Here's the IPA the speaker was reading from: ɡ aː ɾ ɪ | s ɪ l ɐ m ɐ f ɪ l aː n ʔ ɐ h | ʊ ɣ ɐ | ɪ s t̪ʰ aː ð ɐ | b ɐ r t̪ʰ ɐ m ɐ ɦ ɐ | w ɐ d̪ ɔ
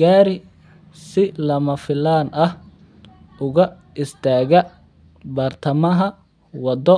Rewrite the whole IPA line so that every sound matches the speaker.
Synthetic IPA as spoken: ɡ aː ɾ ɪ | s ɪ l ɐ m ɐ f ɪ l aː n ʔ ɐ h | ʊ ɣ ɐ | ɪ s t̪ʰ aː ɣ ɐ | b ɐ r t̪ʰ ɐ m ɐ ɦ ɐ | w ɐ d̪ ɔ

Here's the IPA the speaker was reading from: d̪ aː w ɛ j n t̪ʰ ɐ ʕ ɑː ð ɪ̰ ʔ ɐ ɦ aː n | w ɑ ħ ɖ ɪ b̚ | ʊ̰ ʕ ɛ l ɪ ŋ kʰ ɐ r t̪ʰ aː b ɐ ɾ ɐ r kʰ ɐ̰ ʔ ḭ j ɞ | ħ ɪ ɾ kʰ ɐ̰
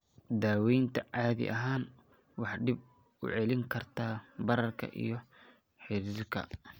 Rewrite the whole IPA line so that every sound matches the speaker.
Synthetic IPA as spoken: d̪ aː w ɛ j n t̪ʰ ɐ ʕ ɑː ð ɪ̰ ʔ ɐ ɦ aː n | w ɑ ħ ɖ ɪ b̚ | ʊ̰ ʕ ɛ l ɪ ŋ kʰ ɐ r t̪ʰ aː b ɐ ɾ ɐ r kʰ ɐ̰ ʔ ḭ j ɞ | ħ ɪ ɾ kʰ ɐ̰

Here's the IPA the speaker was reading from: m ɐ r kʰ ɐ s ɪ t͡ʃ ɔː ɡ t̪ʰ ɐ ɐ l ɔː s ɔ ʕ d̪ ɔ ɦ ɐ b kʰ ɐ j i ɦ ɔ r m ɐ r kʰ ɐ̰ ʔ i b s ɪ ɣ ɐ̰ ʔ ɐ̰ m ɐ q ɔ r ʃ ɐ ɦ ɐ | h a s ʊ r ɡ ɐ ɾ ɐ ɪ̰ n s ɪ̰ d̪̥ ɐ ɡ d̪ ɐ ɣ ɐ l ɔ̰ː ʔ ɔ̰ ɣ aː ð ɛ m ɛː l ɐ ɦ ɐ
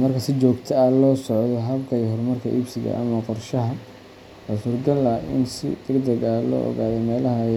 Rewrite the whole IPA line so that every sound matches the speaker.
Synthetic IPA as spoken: m ɐ r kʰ ɐ s ɪ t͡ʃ ɔː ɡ t̪ʰ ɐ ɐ l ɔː s ɔ ʕ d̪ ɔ ɦ ɐ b kʰ ɐ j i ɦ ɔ r m ɐ r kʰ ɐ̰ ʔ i b s ɪ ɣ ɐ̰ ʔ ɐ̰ m ɐ q ɔ r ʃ ɐ ɦ ɐ | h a s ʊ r ɡ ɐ l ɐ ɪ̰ n s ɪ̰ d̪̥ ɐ ɡ d̪ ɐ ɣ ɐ l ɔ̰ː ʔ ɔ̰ ɣ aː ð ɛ m ɛː l ɐ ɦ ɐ

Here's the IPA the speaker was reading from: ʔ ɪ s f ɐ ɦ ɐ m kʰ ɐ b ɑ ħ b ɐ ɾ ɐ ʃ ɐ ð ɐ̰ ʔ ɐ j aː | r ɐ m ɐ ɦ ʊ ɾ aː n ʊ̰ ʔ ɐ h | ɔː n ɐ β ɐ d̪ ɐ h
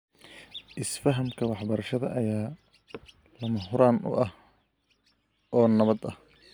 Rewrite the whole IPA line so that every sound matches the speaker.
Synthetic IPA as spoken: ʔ ɪ s f ɐ ɦ ɐ m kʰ ɐ w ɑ ħ b ɐ ɾ ɐ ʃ ɐ ð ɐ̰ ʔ ɐ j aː | l ɐ m ɐ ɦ ʊ ɾ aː n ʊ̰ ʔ ɐ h | ɔː n ɐ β ɐ d̪ ɐ h

